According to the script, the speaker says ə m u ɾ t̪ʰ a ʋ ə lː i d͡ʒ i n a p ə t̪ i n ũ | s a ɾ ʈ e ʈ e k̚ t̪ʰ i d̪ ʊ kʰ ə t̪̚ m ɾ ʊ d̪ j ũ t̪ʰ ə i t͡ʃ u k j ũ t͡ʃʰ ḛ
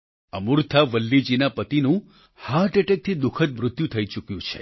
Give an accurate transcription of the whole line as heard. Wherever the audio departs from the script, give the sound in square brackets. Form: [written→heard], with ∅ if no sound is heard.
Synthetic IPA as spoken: ə m u ɾ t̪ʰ a ʋ ə lː i d͡ʒ i n a p ə t̪ i n ũ | [s→h] a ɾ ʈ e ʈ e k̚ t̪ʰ i d̪ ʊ kʰ ə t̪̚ m ɾ ʊ [d̪→t̪] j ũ t̪ʰ ə i t͡ʃ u k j ũ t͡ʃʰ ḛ